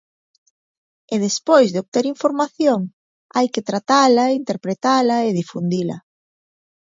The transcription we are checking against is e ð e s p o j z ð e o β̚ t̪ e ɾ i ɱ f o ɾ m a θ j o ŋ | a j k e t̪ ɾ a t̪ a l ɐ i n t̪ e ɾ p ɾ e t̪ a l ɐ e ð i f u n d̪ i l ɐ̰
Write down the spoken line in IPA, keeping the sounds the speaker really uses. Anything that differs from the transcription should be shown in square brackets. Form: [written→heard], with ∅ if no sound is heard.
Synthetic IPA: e ð e s p o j z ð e o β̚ t̪ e ɾ i ɱ f o ɾ m a θ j o ŋ | a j k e t̪ ɾ a t̪ a l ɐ i n t̪ e ɾ p ɾ e t̪ a l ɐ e ð i f u n d̪ i l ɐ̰